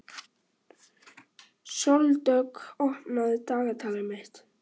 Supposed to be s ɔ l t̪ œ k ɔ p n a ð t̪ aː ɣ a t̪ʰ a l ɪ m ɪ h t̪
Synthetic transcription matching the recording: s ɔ l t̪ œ k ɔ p n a ð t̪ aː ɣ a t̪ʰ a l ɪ m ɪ h t̪